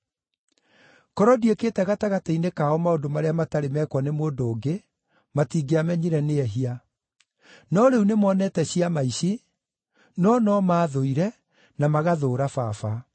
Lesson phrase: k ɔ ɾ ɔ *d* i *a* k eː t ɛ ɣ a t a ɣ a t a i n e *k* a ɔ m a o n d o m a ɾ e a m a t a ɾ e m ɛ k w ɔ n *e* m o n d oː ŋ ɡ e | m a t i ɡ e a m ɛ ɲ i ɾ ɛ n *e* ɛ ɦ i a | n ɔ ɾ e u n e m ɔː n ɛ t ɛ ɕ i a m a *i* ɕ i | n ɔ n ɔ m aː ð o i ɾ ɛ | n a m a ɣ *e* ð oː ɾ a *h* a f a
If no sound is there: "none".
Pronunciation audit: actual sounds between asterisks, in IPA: d, e, k, e, e, i, a, f

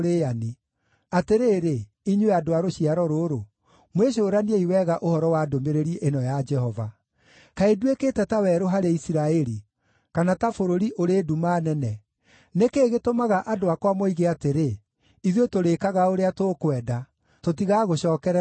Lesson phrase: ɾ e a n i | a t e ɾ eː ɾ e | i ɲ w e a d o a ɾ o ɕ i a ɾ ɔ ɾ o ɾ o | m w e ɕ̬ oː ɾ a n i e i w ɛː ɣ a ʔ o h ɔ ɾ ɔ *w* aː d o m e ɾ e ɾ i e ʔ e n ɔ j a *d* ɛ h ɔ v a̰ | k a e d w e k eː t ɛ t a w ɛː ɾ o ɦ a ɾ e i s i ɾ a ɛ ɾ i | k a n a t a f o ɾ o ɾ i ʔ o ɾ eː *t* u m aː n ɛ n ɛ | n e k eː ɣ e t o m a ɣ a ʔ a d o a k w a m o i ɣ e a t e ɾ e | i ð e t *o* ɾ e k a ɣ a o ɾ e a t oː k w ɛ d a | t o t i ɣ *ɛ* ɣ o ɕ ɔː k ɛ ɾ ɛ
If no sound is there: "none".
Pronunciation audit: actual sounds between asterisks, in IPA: w, d͡ʒ, d, o, a

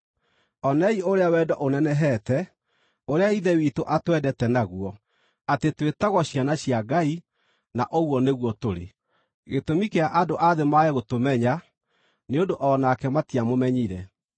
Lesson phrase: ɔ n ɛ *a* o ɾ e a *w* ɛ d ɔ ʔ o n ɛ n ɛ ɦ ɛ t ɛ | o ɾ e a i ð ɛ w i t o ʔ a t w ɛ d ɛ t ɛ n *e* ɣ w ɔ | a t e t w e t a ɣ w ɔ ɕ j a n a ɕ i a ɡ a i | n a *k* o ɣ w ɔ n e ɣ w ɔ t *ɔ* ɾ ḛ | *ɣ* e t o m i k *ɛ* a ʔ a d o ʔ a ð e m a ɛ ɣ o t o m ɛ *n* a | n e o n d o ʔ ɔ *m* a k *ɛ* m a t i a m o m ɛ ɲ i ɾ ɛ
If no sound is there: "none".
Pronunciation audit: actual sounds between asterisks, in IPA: i, w, a, ʔ, o, ɣ, e, ɲ, n, ɛ

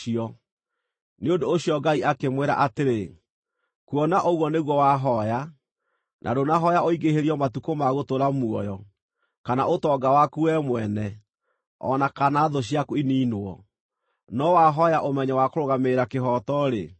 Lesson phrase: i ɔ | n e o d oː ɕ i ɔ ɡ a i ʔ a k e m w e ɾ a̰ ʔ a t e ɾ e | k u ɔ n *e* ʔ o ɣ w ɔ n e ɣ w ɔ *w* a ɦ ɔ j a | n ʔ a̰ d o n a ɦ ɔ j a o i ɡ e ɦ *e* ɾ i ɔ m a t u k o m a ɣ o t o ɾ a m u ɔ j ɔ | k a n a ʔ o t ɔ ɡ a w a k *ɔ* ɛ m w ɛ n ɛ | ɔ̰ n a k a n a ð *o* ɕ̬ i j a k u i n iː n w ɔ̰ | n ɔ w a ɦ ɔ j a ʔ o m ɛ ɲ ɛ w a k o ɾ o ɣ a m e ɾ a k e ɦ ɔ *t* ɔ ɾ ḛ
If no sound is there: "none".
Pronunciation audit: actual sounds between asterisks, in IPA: a, w, e, u, o, t

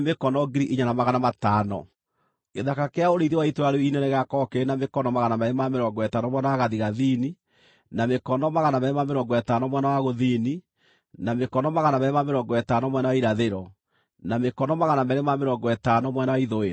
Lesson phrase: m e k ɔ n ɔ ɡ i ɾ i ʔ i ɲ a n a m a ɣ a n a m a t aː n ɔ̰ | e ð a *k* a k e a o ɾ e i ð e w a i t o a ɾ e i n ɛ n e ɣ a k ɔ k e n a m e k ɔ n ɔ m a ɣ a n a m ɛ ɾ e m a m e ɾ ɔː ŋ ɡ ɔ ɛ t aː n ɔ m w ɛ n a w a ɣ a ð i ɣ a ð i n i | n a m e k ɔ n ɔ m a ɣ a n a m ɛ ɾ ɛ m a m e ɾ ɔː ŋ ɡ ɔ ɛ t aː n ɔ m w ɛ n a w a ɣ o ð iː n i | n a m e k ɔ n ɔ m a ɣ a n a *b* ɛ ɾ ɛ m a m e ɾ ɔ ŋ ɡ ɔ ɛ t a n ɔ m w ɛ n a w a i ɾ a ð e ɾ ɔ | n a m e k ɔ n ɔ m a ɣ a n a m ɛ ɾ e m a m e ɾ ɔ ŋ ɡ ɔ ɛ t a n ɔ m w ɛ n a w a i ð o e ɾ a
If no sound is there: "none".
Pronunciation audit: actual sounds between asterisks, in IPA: k, m

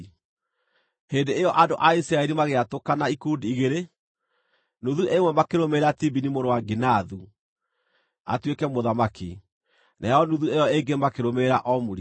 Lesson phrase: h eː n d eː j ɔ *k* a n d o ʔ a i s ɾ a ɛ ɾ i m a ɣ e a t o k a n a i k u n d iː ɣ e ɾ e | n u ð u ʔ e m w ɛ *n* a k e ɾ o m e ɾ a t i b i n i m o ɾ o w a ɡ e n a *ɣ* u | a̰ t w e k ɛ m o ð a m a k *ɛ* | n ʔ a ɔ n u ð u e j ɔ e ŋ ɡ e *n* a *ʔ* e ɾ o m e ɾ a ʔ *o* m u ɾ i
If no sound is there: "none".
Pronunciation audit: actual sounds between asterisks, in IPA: ʔ, m, ð, i, m, k, ɔ

